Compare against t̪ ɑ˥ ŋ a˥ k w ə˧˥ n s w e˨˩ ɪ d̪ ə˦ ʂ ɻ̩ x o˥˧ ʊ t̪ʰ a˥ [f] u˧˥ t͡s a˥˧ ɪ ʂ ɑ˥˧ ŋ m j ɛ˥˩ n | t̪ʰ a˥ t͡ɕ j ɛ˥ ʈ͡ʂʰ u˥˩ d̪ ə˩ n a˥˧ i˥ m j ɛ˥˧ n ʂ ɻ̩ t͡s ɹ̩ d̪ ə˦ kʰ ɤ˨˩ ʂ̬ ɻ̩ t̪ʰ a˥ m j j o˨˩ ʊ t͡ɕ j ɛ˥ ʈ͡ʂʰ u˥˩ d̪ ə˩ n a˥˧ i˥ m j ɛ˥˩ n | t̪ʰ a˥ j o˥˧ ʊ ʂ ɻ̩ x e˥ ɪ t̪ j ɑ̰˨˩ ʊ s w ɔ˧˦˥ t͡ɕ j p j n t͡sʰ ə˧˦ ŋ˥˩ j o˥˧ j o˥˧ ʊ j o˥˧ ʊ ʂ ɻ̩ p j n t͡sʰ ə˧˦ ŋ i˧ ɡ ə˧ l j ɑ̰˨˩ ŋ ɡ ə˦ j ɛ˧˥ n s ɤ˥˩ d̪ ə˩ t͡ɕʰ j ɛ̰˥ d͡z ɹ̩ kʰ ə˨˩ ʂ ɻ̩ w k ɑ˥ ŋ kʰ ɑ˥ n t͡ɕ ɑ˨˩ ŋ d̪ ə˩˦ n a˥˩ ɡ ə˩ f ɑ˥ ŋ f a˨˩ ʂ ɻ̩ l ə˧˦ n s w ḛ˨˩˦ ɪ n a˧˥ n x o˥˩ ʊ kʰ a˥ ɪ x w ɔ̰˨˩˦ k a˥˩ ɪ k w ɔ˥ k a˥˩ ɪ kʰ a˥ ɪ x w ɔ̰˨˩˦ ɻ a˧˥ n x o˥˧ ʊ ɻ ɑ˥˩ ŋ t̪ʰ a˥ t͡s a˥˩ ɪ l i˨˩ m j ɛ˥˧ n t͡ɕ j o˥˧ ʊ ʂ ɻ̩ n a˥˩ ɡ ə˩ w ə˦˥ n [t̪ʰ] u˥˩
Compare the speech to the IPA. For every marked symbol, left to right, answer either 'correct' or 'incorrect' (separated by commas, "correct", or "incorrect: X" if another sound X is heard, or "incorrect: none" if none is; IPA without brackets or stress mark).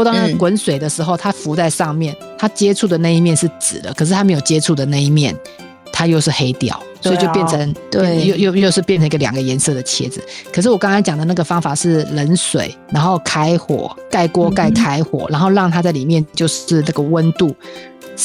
correct, incorrect: t̪